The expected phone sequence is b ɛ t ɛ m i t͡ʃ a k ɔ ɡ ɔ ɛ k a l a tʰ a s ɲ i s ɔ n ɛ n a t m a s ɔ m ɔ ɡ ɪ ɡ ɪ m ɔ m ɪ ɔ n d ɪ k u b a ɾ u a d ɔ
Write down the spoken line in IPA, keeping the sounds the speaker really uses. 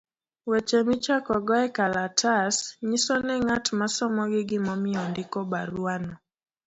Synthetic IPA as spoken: w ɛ t͡ʃ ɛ m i t͡ʃ a k ɔ ɡ ɔ ɛ k a l a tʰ a s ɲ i s ɔ n ɛ ŋ a t m a s ɔ m ɔ ɡ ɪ ɡ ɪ m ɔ m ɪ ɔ n d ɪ k ɔ b a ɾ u a n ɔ

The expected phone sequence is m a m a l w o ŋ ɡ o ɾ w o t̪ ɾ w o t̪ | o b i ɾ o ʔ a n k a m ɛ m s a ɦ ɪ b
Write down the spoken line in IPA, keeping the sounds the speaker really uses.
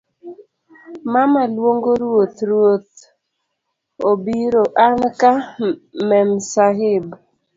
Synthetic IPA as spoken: m a m a l w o ŋ ɡ o ɾ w o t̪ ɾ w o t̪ | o b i ɾ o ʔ a n k a m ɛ m s a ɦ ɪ b

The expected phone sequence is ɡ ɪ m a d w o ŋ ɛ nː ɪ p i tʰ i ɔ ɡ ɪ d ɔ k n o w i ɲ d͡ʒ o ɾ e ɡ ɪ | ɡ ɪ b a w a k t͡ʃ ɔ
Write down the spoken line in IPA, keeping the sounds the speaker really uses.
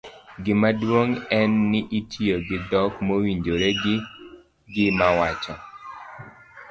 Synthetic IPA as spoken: ɡ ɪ m a d w o ŋ ɛ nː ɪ ʔ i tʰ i o ɡ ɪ d ɔ k m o w i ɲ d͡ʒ o ɾ e ɡ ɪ | ɡ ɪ m a w a t͡ʃ ɔ

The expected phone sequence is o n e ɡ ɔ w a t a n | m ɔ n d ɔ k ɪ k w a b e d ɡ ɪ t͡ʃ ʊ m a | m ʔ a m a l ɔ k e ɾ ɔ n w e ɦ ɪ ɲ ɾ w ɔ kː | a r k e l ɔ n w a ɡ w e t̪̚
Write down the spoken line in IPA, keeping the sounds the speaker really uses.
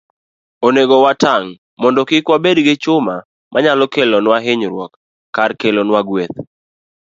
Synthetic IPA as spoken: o n e ɡ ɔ w a t a ŋ | m ɔ n d ɔ k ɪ k w a b e d ɡ ɪ t͡ʃ ʊ m a | m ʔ a ɲ a l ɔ k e l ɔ n w a ɦ ɪ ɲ ɾ w ɔ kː | a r k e l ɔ n w a ɡ w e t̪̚

